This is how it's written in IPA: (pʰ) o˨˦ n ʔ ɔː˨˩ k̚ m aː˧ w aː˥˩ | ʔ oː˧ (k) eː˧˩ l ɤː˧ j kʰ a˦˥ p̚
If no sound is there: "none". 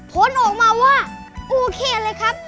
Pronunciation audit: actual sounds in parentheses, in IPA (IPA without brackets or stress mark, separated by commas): pʰ, kʰ